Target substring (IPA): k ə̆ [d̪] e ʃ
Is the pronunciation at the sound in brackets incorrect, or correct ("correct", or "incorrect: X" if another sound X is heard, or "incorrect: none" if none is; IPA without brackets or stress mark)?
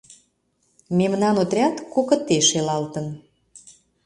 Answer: incorrect: t̪